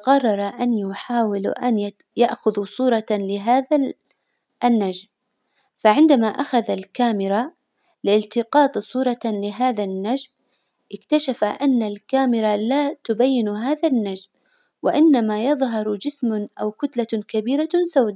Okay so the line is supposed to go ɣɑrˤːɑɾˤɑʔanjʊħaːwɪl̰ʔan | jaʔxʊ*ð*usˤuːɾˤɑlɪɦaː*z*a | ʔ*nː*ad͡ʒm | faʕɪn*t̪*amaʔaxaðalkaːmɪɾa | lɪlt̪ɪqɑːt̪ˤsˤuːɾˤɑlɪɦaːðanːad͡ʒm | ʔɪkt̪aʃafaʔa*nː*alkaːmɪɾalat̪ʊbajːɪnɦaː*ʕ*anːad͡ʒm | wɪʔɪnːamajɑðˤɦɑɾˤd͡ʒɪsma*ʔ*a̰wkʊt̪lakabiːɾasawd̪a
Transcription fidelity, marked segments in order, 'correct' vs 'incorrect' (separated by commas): correct, incorrect, correct, incorrect, correct, incorrect, correct